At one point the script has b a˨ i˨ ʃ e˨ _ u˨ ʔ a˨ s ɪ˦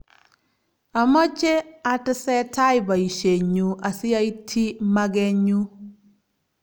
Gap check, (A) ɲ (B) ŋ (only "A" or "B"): A